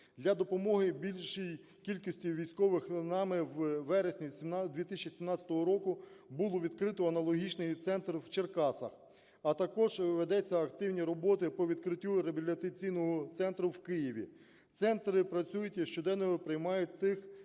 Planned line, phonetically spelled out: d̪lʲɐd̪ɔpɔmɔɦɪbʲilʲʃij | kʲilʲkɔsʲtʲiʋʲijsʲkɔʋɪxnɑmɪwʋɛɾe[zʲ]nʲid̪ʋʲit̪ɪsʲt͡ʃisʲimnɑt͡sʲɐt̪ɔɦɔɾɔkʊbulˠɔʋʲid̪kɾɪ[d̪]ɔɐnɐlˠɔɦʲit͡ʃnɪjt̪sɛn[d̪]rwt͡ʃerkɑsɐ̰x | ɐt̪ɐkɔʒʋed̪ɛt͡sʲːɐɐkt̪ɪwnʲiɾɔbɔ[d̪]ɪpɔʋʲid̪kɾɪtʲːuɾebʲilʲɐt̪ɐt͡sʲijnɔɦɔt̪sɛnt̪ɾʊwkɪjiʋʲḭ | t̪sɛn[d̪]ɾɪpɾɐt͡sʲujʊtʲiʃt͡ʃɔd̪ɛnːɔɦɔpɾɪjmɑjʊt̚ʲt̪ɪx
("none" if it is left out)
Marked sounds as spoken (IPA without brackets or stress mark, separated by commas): sʲ, t̪, t̪, t̪, t̪